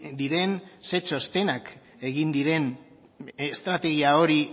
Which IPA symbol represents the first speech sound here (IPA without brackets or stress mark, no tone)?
d̪